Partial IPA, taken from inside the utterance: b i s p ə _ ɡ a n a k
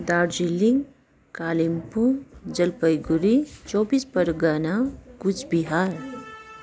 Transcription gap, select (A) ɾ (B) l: A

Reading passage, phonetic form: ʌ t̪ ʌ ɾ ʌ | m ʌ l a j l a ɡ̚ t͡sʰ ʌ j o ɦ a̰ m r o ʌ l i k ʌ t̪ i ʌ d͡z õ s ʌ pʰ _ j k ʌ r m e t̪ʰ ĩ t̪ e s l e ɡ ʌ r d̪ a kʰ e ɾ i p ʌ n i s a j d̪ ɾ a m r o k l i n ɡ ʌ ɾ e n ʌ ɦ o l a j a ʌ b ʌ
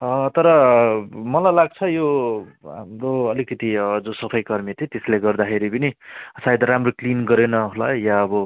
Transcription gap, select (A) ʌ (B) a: A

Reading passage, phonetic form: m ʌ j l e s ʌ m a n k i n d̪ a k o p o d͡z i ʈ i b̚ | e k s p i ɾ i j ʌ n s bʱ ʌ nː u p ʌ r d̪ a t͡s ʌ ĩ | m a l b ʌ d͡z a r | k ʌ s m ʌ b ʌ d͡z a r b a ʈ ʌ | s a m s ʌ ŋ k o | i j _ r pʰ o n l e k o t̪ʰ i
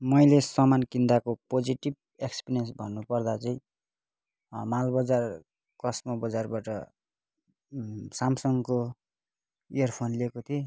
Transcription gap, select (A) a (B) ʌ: B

